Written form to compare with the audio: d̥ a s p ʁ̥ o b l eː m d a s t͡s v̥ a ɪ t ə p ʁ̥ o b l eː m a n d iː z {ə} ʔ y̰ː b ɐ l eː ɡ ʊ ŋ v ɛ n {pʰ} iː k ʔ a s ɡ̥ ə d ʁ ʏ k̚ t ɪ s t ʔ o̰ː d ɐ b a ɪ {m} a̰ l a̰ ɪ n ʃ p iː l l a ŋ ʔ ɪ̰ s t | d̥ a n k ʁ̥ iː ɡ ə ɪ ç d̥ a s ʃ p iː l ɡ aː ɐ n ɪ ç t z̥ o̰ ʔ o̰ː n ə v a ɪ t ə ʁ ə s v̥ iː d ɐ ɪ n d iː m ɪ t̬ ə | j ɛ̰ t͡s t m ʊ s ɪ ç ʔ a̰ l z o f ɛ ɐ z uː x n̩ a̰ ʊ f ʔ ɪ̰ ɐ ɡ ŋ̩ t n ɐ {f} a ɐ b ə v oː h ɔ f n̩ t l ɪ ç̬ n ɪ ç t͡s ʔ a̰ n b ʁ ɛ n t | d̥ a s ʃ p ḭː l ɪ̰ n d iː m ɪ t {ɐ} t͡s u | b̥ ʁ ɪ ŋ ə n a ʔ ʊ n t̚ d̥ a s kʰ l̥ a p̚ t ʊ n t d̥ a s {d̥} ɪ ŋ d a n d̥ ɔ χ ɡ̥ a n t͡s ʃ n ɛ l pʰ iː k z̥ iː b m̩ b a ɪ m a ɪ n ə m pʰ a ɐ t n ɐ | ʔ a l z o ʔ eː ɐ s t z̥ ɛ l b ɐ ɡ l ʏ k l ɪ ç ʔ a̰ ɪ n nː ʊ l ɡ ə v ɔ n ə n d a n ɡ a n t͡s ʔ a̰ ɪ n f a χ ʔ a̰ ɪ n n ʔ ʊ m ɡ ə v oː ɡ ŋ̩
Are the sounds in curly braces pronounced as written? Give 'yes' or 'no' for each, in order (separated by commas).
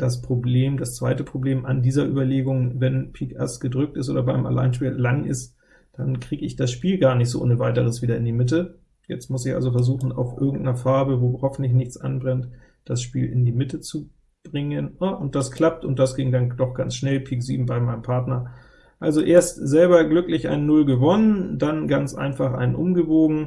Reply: no, yes, yes, yes, no, no